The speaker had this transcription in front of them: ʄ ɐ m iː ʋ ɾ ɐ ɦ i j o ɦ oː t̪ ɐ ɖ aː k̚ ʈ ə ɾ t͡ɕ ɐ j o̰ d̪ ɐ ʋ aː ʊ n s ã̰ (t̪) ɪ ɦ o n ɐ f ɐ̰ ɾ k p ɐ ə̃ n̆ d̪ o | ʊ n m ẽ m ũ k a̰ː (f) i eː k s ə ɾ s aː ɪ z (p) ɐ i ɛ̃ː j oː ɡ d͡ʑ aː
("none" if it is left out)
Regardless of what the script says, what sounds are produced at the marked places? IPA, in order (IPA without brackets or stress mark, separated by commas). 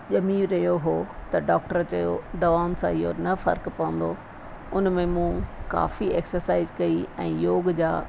none, f, k